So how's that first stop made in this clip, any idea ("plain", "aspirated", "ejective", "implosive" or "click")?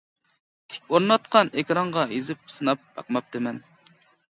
aspirated